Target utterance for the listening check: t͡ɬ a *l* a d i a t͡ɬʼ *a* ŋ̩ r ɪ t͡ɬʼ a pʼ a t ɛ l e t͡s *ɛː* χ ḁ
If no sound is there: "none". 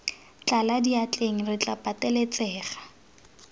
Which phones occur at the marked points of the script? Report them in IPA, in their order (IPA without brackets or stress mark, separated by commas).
l, e, ɛː